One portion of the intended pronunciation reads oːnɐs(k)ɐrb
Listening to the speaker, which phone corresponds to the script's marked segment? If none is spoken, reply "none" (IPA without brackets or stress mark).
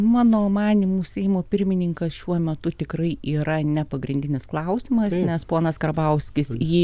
k